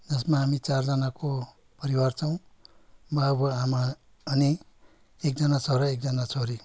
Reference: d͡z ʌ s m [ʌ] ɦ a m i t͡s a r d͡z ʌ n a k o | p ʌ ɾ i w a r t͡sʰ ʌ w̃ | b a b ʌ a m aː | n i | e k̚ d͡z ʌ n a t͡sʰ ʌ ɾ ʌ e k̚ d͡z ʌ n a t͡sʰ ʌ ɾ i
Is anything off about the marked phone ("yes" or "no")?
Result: yes